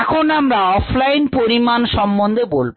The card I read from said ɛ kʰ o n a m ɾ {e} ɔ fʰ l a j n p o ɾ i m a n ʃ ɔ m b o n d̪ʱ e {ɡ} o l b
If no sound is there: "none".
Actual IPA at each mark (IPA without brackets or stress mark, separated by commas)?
a, b